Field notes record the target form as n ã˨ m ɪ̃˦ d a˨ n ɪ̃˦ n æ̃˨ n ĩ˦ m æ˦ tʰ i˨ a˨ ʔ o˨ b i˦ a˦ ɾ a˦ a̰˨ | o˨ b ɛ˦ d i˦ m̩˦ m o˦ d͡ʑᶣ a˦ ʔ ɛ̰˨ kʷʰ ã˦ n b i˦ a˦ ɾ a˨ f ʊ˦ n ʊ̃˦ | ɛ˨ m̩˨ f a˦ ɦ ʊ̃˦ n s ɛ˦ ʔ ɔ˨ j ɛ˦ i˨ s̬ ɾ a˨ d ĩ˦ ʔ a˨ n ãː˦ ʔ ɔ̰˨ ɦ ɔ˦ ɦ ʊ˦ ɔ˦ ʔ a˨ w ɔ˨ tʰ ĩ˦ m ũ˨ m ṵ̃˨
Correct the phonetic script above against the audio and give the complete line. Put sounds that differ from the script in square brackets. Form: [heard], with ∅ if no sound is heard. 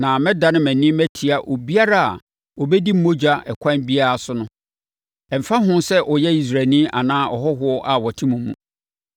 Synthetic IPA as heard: n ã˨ m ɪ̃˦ d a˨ n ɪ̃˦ [m] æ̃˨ n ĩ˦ m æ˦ tʰ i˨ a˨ ʔ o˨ b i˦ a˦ ɾ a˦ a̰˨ | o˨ b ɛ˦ d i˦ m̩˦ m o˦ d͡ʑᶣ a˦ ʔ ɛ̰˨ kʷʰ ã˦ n b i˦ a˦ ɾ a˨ [s] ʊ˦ n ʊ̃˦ | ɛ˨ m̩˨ f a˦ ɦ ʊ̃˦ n s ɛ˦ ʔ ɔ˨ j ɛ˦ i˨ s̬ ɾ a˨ [n] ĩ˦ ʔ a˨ n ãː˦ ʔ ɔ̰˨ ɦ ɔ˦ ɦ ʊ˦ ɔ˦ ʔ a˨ w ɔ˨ tʰ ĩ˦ m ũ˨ m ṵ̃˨